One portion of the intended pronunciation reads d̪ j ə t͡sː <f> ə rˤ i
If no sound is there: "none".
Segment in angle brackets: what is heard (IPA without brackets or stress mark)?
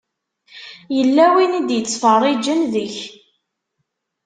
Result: f